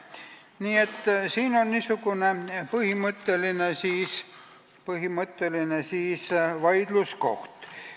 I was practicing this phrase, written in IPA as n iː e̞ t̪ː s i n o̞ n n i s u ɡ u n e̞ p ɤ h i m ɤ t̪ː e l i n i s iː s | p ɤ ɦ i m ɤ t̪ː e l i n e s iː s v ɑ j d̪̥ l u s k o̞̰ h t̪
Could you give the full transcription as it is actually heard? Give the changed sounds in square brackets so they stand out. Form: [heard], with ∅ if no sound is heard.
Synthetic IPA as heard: n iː e̞ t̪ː s [iː] n o̞ n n i s u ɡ u n e̞ p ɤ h i m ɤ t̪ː e l i n [e] s iː s | p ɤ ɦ i m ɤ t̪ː e l i n e s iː s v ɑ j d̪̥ l u s k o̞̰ h t̪